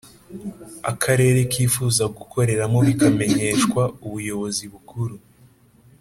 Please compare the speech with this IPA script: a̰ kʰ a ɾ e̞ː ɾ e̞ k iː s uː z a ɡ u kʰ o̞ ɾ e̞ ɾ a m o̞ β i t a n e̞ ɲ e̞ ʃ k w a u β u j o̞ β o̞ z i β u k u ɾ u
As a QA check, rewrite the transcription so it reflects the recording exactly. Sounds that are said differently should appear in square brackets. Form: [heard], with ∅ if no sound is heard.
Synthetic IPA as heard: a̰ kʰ a ɾ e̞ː ɾ e̞ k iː [f] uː z a ɡ u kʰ o̞ ɾ e̞ ɾ a m o̞ β i [k] a [m] e̞ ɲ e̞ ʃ k w a u β u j o̞ β o̞ z i β u k u ɾ u